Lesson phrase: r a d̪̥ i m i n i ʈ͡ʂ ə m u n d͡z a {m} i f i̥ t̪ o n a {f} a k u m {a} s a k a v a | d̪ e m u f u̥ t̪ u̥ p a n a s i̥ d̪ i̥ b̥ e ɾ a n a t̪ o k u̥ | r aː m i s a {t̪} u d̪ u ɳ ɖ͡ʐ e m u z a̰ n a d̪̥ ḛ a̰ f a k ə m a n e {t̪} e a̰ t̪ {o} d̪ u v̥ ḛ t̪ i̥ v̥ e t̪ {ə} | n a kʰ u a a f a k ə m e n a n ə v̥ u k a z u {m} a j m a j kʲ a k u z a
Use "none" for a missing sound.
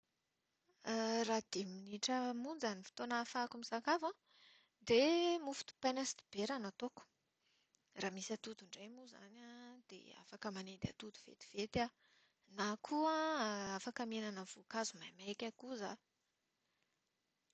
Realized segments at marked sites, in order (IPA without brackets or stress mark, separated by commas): n, f, i, t̪, d̪, u, a, m